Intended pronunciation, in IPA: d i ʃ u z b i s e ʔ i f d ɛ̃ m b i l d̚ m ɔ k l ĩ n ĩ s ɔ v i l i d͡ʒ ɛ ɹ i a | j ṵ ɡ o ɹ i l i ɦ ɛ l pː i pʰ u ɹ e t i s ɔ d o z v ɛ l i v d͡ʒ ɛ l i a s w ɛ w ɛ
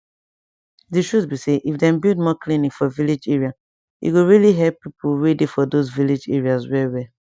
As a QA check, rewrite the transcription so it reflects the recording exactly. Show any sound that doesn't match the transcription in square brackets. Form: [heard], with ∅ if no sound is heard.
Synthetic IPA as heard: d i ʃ u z b i s e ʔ i f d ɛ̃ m b i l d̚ m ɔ k l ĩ n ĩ [f] ɔ v i l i d͡ʒ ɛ ɹ i a | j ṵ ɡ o ɹ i l i ɦ ɛ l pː i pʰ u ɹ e [d] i [f] ɔ d o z v [i] l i [∅] d͡ʒ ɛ [ɹ] i a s w ɛ w ɛ